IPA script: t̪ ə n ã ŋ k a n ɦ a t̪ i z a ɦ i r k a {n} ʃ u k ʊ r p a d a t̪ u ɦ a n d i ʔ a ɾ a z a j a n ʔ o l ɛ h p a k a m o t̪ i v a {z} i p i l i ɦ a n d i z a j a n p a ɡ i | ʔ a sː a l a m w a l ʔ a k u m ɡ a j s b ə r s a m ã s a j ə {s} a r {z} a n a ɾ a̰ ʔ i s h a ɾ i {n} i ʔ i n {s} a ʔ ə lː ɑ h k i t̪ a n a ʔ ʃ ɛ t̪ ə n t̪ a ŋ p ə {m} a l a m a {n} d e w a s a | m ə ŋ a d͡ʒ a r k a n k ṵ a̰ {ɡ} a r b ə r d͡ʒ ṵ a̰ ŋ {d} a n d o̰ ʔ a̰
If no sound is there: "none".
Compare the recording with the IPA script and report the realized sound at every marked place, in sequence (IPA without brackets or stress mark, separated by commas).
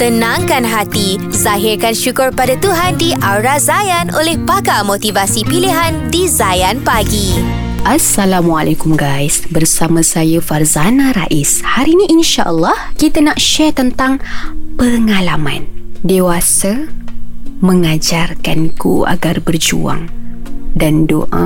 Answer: n, s, f, z, n, ʃ, ŋ, n, ɡ, d